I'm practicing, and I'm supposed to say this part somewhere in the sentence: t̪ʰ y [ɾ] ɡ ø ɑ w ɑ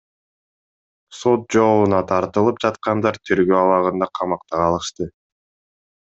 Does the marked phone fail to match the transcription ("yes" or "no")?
no